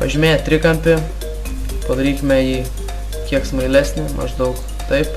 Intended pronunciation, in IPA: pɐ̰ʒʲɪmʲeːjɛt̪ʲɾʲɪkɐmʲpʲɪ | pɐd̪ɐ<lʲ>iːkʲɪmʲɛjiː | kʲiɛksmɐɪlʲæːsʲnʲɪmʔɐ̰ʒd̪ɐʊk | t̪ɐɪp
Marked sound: incorrect: ɾʲ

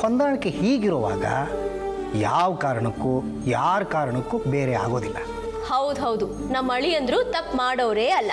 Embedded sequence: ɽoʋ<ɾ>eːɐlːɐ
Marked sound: correct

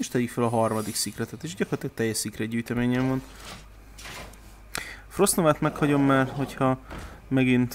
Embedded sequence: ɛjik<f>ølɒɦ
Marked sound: correct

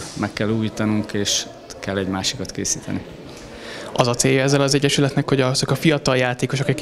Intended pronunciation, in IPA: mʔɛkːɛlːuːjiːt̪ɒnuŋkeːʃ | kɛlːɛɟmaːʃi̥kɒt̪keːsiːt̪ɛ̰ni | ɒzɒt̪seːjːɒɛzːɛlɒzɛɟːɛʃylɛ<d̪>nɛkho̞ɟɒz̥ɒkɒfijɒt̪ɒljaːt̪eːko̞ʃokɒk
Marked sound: incorrect: t̪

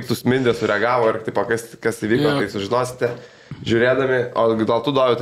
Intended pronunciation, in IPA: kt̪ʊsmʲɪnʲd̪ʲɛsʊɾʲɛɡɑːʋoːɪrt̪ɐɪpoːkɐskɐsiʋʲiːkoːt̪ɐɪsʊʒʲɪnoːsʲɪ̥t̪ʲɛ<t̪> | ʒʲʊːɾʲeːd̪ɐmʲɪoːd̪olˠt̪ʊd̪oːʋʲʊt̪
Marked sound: incorrect: none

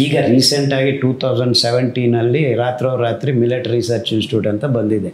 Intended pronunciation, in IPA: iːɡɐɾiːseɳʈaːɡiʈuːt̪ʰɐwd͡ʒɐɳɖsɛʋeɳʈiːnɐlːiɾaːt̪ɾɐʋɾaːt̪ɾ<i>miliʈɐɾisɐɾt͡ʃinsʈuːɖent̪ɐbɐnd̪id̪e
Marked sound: correct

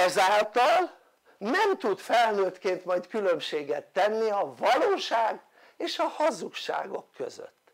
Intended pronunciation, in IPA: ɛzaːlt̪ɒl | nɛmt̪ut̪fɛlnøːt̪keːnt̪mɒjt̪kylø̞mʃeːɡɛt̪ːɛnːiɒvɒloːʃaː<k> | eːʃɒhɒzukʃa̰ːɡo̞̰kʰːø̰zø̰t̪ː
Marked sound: incorrect: ɡ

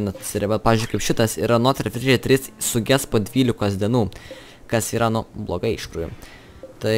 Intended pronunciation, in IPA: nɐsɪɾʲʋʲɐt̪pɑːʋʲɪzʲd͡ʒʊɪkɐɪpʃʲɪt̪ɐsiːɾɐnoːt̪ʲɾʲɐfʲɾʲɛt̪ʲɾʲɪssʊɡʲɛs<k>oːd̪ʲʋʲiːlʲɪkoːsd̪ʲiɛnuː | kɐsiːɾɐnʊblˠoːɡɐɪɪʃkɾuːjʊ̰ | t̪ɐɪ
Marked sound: incorrect: p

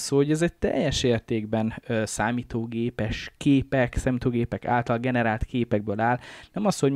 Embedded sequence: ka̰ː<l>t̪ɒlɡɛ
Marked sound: correct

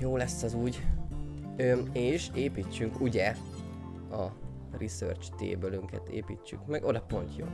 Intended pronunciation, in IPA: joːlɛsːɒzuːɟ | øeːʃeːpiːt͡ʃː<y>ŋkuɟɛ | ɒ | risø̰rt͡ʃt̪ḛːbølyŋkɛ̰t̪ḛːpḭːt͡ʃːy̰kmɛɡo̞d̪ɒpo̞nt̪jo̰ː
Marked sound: correct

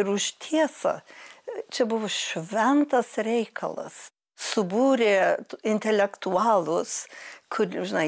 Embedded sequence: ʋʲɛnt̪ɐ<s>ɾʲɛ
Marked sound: correct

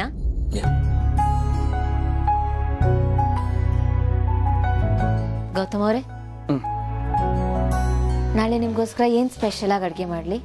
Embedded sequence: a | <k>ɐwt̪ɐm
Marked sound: incorrect: ɡ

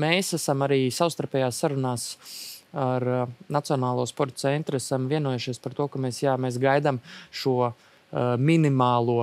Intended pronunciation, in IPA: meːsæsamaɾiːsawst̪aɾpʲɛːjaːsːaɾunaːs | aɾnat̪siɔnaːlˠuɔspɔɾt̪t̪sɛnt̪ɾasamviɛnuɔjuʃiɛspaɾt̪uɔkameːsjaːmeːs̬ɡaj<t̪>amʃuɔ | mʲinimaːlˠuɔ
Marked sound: incorrect: d̪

